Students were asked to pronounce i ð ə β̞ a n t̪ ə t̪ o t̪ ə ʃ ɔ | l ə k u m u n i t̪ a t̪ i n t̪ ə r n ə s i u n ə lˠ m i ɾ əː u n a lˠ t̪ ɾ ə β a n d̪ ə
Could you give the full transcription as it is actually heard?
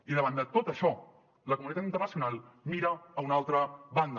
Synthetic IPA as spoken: i ð ə β̞ a n d̪ ə t̪ o t̪ ə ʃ ɔ | l ə k u m u n i t̪ a t̪ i n t̪ ə r n ə s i u n a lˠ m i ɾ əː u n a lˠ t̪ ɾ ə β a n d̪ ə